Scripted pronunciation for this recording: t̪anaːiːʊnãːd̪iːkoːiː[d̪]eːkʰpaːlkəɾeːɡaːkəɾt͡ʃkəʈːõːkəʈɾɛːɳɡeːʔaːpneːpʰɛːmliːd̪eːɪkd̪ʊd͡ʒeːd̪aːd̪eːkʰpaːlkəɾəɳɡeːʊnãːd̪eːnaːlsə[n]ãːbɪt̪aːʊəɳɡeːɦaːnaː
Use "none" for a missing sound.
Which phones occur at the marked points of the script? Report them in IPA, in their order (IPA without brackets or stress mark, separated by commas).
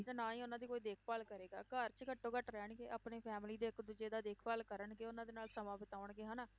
d̪, m